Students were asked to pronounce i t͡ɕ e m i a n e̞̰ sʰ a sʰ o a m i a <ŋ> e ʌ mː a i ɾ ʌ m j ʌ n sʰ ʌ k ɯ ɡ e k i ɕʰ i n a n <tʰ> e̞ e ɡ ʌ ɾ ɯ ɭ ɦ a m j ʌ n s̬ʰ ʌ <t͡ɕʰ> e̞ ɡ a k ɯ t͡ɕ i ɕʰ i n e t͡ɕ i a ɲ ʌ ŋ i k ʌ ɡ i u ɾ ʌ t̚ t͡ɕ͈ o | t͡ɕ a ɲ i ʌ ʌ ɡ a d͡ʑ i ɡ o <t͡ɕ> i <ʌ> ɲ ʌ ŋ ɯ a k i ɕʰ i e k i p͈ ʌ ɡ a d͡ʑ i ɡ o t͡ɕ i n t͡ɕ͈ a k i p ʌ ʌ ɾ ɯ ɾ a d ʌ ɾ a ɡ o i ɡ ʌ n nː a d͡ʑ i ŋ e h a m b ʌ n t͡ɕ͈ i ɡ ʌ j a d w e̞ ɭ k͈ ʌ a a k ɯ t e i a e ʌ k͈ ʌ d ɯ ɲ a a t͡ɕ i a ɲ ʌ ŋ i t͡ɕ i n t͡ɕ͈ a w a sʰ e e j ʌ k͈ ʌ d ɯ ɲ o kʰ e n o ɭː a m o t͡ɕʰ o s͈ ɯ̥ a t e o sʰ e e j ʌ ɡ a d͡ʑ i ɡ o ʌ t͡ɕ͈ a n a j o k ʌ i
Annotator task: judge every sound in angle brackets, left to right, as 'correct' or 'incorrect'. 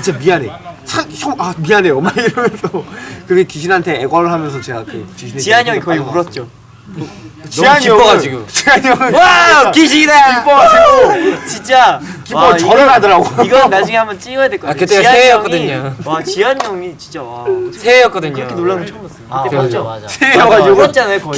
incorrect: n, correct, incorrect: t͡ɕ, correct, incorrect: a

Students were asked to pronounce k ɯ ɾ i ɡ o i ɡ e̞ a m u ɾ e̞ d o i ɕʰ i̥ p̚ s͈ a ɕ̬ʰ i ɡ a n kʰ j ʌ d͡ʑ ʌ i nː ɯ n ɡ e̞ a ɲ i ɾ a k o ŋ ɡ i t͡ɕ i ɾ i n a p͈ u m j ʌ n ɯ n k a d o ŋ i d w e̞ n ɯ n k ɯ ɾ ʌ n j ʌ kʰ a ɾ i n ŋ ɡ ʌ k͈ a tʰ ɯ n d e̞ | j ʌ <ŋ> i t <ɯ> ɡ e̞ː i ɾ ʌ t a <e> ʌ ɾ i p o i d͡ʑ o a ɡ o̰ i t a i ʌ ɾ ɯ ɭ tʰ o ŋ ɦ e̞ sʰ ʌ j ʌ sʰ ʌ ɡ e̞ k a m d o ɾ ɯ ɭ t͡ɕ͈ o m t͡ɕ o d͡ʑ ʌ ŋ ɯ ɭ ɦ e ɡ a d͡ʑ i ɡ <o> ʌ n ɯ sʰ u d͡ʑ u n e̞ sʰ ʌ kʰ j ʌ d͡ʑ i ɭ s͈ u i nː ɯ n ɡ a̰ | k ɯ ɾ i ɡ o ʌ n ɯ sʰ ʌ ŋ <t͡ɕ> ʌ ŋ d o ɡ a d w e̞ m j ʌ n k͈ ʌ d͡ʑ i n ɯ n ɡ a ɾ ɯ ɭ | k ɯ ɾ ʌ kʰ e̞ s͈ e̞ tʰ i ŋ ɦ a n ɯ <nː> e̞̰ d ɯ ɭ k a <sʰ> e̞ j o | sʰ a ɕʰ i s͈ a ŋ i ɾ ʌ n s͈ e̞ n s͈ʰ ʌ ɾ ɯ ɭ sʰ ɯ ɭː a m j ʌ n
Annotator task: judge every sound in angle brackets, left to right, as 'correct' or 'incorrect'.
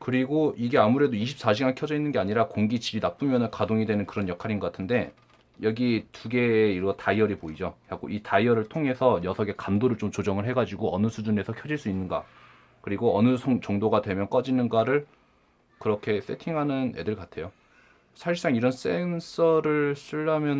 incorrect: ɡ, incorrect: u, incorrect: i, correct, correct, incorrect: n, incorrect: tʰ

